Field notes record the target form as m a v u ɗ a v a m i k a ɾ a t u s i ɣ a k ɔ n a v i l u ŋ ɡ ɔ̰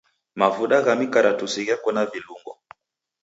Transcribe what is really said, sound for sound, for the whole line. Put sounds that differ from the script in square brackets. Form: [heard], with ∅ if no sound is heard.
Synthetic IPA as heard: m a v u ɗ a [ɣ] a m i k a ɾ a t u s i ɣ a k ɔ n a v i l u ŋ ɡ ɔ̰